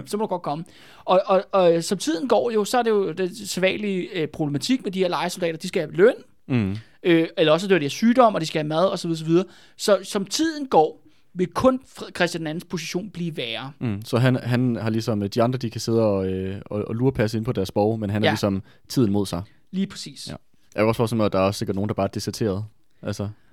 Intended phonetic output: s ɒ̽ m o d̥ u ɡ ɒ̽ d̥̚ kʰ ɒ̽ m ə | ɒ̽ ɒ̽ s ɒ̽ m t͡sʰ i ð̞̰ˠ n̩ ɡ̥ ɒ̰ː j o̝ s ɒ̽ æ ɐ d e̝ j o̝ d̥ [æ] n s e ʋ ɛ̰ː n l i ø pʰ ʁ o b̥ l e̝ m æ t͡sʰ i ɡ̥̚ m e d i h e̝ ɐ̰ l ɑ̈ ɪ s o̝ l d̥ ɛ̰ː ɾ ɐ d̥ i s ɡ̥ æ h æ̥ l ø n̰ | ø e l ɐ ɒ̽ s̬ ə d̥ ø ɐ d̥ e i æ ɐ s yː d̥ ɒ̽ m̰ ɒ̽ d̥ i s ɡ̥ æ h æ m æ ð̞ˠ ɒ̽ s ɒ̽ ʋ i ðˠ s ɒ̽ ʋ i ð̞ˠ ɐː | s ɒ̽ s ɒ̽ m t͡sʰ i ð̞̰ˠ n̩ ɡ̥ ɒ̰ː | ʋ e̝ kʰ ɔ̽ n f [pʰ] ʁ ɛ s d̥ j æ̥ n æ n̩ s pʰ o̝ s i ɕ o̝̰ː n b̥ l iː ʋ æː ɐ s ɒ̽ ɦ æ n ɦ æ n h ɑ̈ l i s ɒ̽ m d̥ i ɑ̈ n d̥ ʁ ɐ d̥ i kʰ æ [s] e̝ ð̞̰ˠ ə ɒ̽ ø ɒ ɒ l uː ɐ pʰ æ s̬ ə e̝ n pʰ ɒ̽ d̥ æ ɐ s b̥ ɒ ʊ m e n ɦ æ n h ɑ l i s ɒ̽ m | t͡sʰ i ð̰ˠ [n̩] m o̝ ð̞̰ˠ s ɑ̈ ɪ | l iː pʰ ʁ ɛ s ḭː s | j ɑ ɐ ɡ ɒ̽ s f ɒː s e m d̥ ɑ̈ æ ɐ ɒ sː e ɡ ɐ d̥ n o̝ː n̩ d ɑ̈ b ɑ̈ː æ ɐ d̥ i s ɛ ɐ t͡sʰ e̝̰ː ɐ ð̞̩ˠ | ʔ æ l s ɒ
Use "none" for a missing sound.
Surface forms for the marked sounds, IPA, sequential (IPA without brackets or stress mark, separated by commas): e, kʰ, s, n̩